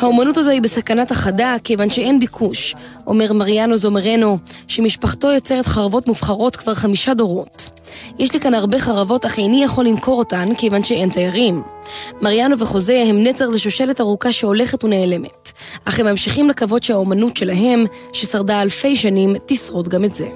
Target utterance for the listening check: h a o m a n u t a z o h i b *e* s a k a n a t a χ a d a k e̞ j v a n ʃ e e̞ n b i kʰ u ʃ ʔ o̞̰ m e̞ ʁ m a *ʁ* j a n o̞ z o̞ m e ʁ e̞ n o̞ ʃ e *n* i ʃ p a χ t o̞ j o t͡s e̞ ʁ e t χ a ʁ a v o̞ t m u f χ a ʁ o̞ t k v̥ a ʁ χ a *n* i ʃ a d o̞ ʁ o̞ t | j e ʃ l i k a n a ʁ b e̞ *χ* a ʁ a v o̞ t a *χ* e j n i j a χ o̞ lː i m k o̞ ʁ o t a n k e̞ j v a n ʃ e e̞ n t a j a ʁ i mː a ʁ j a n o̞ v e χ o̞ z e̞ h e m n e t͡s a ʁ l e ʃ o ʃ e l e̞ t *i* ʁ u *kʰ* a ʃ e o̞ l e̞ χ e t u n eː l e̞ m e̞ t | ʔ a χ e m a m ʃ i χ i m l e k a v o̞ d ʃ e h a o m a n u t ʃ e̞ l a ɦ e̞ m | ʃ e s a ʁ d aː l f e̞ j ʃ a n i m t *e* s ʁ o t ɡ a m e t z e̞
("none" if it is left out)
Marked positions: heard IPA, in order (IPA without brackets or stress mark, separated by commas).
e, ʁ, m, m, χ, χ, a, k, i